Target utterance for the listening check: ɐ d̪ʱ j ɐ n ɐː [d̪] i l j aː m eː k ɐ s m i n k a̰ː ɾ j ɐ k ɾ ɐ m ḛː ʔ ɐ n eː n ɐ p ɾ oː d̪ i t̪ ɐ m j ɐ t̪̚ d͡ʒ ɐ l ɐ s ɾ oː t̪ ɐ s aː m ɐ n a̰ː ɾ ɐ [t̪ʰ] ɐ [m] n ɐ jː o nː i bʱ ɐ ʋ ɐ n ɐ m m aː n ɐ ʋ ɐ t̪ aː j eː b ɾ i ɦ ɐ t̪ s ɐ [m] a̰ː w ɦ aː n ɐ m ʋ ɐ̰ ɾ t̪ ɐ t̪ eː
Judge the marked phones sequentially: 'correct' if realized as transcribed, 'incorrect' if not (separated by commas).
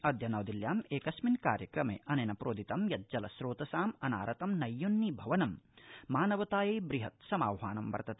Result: correct, incorrect, correct, correct